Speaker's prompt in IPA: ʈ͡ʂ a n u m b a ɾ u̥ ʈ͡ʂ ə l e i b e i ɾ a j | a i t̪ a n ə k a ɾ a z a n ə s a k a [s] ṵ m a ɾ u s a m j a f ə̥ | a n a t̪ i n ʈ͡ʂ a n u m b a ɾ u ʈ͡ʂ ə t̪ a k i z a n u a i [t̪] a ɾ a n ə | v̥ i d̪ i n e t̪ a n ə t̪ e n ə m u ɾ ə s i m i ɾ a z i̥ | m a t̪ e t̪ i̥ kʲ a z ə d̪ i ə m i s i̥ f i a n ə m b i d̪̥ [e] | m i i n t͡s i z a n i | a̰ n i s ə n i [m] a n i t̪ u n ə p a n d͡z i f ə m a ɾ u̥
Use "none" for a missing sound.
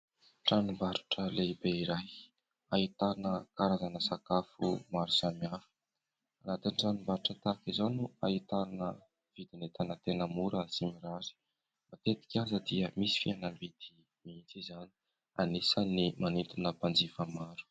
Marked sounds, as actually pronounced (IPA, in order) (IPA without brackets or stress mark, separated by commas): f, t̪, i, m